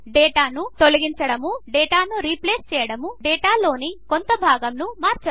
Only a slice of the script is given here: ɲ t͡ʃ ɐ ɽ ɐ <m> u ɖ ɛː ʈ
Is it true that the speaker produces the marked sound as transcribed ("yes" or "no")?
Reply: yes